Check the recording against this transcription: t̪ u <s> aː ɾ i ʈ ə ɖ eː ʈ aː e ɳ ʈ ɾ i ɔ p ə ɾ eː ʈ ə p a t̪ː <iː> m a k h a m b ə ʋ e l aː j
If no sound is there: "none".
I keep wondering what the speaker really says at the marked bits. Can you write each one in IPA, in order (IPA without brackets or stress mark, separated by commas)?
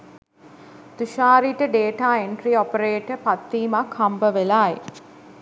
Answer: ʃ, iː